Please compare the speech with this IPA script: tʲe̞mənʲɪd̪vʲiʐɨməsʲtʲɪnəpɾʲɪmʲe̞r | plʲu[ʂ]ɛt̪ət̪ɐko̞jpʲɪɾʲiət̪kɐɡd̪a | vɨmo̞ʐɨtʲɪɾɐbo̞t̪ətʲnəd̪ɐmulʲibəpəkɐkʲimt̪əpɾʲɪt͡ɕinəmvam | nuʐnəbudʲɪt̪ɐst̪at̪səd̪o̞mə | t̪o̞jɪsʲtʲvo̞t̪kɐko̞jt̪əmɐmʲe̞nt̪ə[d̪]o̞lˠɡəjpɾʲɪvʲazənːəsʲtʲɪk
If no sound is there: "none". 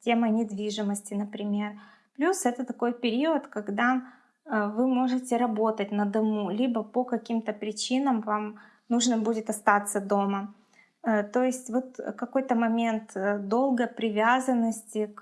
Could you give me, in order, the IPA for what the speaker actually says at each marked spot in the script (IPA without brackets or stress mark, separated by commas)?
s, d̪